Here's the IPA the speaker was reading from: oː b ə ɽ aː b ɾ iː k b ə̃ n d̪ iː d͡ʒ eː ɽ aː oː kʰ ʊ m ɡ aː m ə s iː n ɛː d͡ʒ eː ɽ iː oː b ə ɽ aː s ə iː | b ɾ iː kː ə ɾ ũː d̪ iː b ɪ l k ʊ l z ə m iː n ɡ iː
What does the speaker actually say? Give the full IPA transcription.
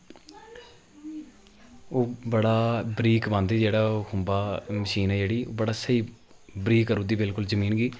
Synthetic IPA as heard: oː b ə ɽ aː b ɾ iː k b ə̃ n d̪ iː d͡ʒ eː ɽ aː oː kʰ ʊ m b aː m ə ʃ iː n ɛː d͡ʒ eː ɽ iː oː b ə ɽ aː s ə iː | b ɾ iː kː ə ɾ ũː d̪ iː b ɪ l k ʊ l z ə m iː n ɡ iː